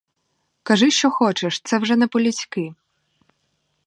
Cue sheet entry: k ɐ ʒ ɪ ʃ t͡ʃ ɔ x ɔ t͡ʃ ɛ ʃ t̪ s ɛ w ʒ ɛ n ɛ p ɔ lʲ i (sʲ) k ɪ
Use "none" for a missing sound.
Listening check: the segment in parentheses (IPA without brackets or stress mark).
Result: t͡sʲ